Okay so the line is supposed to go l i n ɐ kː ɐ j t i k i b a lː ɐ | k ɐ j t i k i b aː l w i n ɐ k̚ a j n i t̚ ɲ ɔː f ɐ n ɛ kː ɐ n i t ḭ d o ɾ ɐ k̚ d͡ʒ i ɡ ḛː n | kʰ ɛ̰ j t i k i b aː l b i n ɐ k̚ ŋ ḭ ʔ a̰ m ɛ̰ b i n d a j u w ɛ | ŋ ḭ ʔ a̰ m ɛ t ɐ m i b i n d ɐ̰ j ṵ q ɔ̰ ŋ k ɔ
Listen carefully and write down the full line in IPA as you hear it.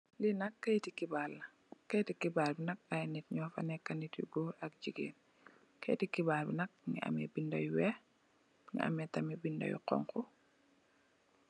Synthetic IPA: l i n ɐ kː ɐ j t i k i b a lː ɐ | k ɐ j t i k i b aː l b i n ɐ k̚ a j n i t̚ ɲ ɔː f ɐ n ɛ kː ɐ n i t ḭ ɡ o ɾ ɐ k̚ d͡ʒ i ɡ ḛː n | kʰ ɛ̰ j t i k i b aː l b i n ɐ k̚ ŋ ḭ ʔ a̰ m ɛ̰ b i n d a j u w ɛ | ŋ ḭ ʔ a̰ m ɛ t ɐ m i b i n d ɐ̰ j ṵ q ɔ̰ ŋ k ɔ

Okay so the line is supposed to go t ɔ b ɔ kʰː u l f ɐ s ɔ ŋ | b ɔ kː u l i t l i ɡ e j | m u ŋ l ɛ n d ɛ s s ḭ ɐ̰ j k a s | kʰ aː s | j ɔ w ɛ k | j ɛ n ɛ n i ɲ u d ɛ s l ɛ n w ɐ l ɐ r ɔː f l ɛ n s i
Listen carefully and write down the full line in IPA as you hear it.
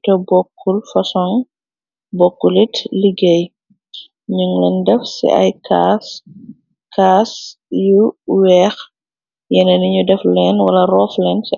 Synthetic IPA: t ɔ b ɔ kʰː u l f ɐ s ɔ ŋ | b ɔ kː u l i t l i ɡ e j | ɲ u ŋ l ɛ n d ɛ f s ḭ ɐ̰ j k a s | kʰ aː s | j u w ɛ x | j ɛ n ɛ n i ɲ u d ɛ f l ɛ n w ɐ l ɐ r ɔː f l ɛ n s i

